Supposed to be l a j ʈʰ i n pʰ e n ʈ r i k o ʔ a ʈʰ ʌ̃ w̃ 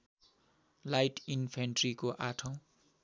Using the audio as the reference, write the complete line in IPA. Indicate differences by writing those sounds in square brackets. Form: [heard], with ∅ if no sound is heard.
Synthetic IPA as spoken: l a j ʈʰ i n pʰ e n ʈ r i k o ʔ a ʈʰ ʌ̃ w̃

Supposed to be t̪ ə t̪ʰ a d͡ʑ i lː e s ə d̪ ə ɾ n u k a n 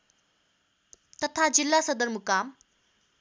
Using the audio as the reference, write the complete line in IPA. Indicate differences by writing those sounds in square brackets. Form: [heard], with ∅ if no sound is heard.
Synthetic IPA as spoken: t̪ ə t̪ʰ a d͡ʑ i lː [a] s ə d̪ ə ɾ [m] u k a [m]

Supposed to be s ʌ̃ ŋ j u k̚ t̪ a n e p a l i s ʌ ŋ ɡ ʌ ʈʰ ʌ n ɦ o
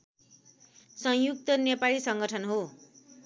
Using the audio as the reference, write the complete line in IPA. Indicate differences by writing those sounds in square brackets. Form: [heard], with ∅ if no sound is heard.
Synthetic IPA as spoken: s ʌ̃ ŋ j u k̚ t̪ [ʌ] n e p a l i s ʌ ŋ ɡ ʌ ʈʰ ʌ n ɦ o

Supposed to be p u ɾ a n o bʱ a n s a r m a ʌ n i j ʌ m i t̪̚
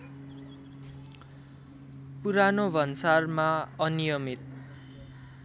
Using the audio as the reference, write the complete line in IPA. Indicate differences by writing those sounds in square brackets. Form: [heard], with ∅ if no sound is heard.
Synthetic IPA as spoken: p u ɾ a n o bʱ [ʌ] n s a r m a ʌ n i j ʌ m i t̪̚

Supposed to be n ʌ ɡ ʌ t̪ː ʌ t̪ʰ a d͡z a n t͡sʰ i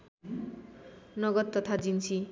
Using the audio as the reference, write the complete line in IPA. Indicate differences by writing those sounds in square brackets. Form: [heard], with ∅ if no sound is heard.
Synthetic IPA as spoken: n ʌ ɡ ʌ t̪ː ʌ t̪ʰ a d͡z [i] n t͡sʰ i

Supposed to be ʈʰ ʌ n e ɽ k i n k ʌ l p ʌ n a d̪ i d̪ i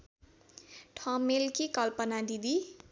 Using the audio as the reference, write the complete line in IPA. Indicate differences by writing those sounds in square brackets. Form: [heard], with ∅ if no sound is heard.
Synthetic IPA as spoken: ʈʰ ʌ [m] e [l] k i [∅] k ʌ l p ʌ n a d̪ i d̪ i

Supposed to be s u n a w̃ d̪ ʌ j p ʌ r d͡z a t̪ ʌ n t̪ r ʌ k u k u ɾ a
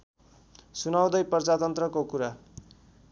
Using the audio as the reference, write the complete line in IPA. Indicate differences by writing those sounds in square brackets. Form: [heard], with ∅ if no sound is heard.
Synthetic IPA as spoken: s u n a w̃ d̪ ʌ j p ʌ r d͡z a t̪ ʌ n t̪ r ʌ k [o] k u ɾ a

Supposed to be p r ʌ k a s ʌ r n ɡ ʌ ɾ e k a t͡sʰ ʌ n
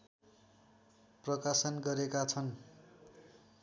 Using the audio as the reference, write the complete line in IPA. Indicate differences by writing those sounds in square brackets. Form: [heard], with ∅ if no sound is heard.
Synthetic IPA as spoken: p r ʌ k a s ʌ [∅] n ɡ ʌ ɾ e k a t͡sʰ ʌ n

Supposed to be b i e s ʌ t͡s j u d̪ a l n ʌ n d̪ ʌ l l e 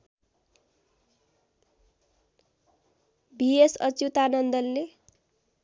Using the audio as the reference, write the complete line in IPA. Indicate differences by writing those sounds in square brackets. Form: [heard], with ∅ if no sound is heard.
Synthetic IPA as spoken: b i e s ʌ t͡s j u [t̪] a [∅] n ʌ n d̪ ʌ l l e

